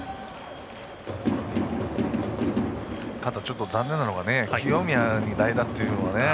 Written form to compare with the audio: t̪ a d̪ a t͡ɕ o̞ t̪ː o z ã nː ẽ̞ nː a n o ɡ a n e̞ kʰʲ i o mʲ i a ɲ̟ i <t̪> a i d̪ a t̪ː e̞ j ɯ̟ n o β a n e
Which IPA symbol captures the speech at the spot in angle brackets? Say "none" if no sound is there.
d̪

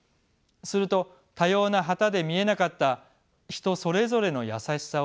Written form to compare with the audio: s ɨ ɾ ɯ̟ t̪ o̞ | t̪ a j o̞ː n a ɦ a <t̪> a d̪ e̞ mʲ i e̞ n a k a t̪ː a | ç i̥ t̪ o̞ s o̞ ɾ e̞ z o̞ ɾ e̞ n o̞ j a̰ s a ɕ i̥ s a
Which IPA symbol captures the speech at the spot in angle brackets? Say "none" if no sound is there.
t̪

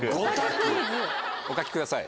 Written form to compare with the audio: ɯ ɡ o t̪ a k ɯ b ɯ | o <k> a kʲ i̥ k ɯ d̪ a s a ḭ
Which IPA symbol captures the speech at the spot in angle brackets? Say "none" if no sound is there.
k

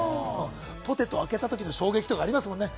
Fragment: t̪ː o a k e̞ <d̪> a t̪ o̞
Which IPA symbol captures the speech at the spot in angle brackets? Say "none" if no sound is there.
t̪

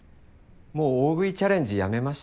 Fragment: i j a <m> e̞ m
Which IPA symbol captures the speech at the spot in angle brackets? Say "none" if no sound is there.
m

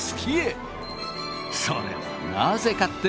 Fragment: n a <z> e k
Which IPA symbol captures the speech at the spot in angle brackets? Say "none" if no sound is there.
z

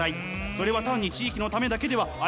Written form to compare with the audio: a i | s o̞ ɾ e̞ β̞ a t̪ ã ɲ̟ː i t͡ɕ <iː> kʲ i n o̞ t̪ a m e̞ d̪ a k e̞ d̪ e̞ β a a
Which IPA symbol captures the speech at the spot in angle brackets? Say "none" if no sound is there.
iː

